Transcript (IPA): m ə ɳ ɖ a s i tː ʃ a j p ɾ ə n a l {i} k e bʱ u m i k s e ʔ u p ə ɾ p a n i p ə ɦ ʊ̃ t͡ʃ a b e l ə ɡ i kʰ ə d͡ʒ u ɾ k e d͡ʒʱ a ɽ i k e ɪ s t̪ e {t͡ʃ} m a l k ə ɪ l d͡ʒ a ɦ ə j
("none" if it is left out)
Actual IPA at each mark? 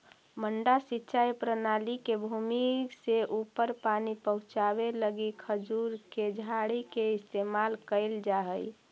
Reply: i, none

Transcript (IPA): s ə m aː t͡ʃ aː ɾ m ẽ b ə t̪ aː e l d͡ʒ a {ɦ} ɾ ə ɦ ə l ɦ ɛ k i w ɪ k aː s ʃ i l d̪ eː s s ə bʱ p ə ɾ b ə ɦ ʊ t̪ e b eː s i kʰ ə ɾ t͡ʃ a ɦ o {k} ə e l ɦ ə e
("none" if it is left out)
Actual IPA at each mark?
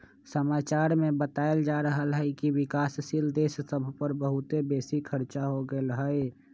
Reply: none, ɡ

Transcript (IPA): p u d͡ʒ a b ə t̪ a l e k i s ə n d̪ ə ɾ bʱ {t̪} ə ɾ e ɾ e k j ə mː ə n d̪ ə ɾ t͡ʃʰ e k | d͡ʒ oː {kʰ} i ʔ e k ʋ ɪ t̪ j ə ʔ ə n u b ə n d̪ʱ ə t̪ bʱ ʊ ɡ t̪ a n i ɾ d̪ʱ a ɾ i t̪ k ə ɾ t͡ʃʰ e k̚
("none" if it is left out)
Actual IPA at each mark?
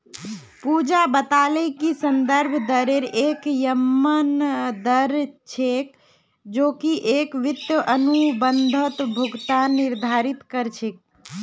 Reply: d̪, k

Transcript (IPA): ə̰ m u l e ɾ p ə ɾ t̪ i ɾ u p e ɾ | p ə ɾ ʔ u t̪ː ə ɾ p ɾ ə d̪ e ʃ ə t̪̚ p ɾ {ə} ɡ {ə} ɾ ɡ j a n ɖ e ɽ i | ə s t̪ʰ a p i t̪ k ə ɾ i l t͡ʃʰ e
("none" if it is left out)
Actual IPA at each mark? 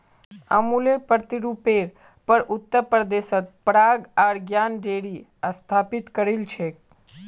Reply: a, a

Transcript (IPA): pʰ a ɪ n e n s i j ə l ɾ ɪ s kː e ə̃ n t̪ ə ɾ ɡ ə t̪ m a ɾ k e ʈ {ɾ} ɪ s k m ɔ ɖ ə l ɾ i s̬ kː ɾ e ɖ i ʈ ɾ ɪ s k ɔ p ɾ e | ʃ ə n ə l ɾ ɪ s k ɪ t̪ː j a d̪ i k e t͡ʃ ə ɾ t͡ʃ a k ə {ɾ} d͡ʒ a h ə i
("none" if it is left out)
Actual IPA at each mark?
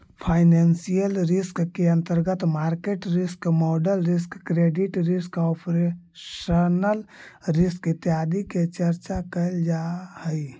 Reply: ɾ, l

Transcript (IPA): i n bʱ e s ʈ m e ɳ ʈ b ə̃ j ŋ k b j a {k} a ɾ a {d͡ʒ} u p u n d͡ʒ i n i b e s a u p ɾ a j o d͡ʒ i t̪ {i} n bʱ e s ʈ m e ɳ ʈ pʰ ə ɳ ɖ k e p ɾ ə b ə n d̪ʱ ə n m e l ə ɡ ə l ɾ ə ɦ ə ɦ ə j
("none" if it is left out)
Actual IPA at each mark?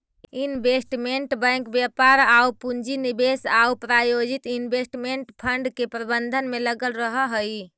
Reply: p, none, i

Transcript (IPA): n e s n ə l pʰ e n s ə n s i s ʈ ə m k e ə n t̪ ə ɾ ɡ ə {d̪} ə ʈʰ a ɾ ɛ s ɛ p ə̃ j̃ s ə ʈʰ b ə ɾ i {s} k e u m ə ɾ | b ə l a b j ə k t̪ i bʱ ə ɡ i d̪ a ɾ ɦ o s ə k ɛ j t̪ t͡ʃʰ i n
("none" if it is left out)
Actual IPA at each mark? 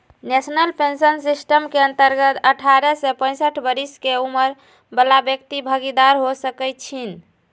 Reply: t̪, s

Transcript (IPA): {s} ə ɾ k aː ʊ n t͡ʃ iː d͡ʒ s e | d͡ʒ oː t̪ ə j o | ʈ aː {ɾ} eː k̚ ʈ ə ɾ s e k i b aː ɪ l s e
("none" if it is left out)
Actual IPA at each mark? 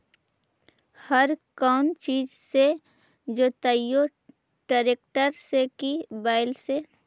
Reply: h, ɾ

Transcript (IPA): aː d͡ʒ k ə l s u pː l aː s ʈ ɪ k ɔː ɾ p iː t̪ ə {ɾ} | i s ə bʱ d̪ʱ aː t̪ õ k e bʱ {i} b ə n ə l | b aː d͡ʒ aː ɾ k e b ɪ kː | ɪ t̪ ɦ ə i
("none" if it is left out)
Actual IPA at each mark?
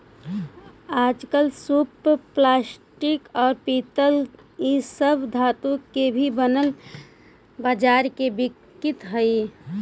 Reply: l, i

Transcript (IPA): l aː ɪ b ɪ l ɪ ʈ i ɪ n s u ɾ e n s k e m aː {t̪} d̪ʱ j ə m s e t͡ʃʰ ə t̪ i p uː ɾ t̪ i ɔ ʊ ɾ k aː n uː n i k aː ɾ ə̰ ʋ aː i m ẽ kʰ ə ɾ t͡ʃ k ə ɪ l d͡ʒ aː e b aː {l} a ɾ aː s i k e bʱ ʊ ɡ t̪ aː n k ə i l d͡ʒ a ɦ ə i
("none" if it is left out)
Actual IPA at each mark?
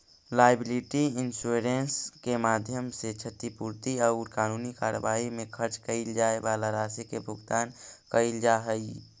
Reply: none, l

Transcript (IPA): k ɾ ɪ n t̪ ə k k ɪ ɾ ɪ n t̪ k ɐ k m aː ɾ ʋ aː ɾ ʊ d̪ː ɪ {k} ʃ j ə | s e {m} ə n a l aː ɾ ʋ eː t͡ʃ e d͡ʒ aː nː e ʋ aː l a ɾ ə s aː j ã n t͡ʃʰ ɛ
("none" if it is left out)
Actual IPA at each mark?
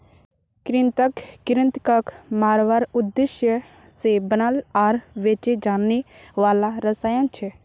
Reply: none, b

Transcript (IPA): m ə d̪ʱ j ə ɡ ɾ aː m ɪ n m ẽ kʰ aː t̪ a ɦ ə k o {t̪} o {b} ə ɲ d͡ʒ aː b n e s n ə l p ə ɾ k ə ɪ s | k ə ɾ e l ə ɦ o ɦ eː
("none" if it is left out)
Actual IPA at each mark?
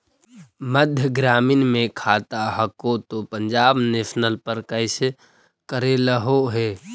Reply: t̪, p

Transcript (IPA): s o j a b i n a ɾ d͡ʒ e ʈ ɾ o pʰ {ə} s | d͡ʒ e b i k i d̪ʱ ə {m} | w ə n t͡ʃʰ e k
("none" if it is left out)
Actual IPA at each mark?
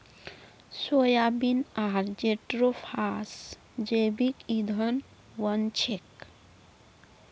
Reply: a, n

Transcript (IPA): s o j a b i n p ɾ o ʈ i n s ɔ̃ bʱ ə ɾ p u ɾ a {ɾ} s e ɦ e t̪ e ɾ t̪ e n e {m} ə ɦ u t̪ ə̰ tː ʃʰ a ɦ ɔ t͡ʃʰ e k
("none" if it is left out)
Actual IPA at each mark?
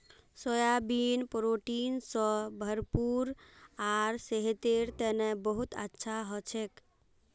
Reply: ɾ, b

